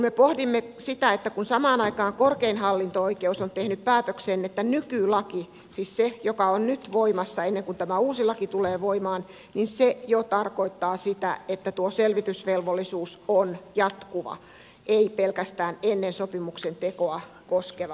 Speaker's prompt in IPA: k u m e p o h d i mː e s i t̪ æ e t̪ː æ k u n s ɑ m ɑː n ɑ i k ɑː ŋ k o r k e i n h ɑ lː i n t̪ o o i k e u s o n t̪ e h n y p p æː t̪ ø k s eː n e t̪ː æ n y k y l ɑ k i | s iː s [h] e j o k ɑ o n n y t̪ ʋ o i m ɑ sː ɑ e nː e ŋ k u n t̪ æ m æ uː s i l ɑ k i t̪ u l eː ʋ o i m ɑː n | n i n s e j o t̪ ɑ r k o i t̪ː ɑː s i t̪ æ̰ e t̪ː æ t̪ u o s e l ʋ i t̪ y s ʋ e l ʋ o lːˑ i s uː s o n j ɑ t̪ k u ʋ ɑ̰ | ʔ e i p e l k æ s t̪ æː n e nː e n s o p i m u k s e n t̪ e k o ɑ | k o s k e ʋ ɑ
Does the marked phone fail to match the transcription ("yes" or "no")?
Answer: yes